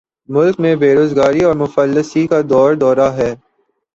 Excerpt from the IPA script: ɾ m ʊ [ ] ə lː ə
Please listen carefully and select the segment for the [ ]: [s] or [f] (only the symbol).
f